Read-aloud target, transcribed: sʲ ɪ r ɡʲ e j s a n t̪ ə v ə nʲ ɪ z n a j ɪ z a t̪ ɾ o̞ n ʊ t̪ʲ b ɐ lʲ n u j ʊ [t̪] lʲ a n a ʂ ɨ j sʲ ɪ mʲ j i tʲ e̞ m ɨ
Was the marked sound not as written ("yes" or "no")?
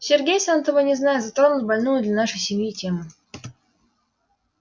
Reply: yes